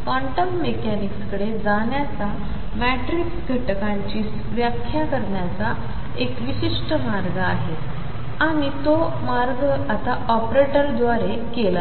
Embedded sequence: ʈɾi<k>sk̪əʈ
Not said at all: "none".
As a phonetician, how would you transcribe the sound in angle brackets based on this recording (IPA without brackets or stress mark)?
k